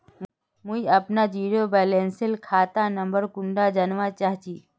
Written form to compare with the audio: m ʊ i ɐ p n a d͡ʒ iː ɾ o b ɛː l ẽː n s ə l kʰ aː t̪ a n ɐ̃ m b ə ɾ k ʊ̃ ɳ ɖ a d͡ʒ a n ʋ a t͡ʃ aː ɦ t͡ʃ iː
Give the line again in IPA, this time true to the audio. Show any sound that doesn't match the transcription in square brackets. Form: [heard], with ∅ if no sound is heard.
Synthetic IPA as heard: m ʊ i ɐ p n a d͡ʒ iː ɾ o b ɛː l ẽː n s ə l kʰ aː t̪ a n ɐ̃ m b ə ɾ k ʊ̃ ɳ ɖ a d͡ʒ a n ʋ a t͡ʃ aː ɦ t͡ʃ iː